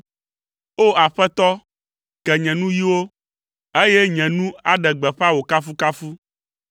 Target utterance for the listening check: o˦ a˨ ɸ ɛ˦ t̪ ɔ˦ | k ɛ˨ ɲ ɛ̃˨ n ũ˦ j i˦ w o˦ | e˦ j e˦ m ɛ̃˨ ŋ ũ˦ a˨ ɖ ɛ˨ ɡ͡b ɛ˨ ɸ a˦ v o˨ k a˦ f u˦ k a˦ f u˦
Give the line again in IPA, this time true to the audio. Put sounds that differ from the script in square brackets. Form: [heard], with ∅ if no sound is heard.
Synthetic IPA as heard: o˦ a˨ ɸ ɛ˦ t̪ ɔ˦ | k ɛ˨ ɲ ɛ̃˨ n ũ˦ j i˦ w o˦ | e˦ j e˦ [ɲ] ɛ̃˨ [n] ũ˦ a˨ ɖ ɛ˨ ɡ͡b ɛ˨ ɸ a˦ [w] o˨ k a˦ f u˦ k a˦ f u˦